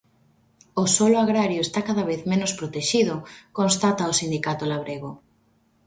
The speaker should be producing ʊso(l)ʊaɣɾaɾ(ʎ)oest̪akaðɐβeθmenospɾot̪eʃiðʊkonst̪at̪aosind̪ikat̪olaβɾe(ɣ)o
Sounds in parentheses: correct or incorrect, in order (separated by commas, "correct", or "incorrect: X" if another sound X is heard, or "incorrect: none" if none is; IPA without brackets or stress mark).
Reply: correct, incorrect: j, correct